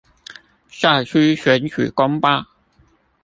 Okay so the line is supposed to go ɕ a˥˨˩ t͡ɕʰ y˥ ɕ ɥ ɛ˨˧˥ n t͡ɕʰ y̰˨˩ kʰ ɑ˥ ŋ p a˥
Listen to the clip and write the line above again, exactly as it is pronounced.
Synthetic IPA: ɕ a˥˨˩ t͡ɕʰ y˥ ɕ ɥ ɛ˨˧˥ n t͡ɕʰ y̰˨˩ k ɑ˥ ŋ p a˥